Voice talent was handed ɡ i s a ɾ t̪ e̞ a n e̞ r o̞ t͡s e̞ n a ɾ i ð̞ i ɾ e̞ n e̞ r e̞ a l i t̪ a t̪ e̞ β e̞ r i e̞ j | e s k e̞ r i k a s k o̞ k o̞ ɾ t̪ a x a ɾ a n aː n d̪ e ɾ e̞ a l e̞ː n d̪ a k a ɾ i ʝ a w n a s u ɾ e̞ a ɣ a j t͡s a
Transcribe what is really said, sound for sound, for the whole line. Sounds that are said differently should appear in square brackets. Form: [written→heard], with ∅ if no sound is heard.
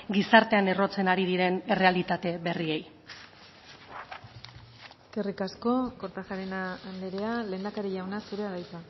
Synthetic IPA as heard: ɡ i s a ɾ t̪ e̞ a n e̞ r o̞ t͡s e̞ n a ɾ i ð̞ i ɾ e̞ n e̞ r e̞ a l i t̪ a t̪ e̞ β e̞ r i e̞ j | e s k e̞ r i k a s k o̞ k o̞ ɾ t̪ a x a ɾ [a→e] n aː n d̪ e ɾ e̞ a l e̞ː n d̪ a k a ɾ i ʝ a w n a s u ɾ e̞ a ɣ a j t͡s a